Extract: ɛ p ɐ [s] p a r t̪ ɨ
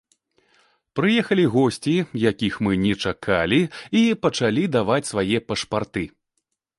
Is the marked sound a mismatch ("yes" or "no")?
yes